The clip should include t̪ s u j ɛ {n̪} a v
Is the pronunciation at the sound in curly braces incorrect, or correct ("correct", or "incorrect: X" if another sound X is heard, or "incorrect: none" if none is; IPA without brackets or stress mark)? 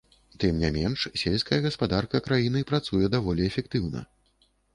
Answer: incorrect: d̪